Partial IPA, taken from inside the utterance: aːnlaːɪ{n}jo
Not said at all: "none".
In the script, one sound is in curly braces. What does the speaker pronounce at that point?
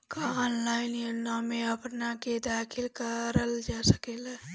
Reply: n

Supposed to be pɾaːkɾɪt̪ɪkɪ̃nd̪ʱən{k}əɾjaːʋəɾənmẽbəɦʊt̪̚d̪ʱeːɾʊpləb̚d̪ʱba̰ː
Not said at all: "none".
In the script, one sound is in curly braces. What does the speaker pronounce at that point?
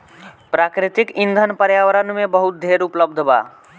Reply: p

